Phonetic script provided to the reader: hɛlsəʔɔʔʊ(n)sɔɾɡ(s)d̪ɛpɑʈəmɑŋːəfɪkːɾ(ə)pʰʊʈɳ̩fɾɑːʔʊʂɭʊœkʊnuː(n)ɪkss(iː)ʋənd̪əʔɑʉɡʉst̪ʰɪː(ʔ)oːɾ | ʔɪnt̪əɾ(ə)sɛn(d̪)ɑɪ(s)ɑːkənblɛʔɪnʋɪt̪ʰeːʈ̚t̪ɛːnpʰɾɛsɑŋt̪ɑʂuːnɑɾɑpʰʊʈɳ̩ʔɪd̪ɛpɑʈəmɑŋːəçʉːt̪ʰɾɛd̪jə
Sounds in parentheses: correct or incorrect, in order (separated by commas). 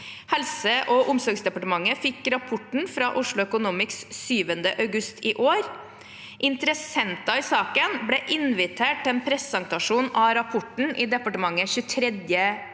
incorrect, correct, incorrect, incorrect, incorrect, correct, correct, incorrect, correct